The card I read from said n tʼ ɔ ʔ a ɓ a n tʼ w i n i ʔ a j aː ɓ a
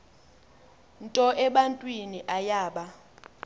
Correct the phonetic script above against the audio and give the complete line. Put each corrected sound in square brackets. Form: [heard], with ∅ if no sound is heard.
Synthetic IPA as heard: n tʼ ɔ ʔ [ɛ] ɓ a n tʼ w i n i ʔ a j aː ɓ a